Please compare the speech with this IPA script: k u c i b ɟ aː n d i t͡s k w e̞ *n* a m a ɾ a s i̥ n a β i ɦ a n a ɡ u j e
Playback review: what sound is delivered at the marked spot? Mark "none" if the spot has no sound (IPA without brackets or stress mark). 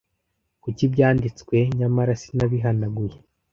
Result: ɲ